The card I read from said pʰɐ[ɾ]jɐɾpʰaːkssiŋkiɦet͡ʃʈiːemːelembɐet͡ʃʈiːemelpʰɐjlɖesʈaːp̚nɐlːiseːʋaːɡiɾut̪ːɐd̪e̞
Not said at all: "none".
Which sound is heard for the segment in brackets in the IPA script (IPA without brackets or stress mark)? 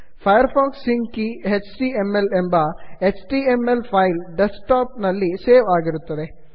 none